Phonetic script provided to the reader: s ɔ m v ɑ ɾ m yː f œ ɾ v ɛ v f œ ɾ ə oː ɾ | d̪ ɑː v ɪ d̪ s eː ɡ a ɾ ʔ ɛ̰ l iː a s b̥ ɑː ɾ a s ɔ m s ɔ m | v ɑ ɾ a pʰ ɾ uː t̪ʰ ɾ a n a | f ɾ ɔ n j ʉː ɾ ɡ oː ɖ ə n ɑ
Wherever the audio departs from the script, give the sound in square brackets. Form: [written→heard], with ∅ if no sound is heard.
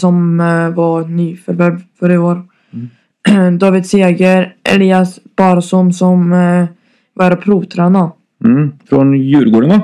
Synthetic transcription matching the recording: s ɔ m v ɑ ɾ [m→n] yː f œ ɾ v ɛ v f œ ɾ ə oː ɾ | d̪ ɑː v ɪ d̪ s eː ɡ [a→ə] ɾ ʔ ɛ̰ l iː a s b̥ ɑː ɾ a s ɔ m s ɔ m | v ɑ ɾ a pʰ ɾ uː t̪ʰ ɾ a n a | f ɾ ɔ n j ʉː ɾ ɡ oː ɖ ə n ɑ